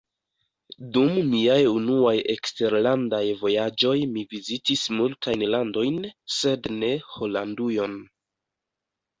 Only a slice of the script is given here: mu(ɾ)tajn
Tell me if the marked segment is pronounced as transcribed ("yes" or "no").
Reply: no